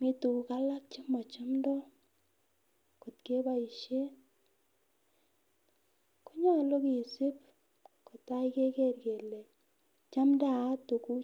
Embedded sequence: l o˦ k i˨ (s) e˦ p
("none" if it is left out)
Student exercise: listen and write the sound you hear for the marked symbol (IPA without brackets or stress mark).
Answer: s